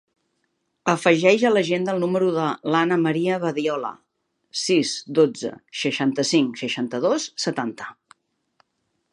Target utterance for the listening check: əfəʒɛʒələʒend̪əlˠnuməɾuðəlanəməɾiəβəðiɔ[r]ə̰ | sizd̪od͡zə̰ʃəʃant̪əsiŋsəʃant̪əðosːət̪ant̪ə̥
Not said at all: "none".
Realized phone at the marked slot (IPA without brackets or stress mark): l